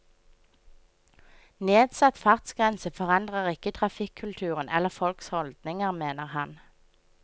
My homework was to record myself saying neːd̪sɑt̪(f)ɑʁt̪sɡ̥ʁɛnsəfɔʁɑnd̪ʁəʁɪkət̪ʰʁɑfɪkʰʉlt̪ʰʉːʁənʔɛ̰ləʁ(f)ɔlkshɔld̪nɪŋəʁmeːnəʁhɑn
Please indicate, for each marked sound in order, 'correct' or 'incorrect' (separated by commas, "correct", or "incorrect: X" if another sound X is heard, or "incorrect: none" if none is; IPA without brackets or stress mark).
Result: correct, correct